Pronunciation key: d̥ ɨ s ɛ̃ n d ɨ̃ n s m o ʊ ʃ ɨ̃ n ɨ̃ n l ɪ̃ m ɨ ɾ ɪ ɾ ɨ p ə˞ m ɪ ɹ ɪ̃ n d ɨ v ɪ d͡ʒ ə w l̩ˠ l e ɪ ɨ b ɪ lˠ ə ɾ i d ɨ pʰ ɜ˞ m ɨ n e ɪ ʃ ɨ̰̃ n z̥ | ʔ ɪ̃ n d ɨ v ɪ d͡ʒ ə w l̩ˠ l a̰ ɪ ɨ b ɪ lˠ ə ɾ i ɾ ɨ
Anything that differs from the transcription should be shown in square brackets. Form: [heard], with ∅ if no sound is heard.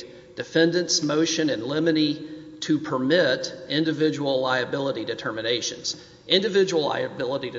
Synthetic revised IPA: d̥ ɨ [f] ɛ̃ n d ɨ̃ n s m o ʊ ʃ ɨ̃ n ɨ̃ n l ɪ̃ m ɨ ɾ [i] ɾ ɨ [pʰ] ə˞ m ɪ [ɾ] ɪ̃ n d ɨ v ɪ d͡ʒ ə w l̩ˠ l [a] ɪ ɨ b ɪ lˠ ə ɾ i d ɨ [tʰ] ɜ˞ m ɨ n e ɪ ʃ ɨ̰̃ n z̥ | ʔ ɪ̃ n d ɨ v ɪ d͡ʒ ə w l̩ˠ l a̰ ɪ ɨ b ɪ lˠ ə ɾ i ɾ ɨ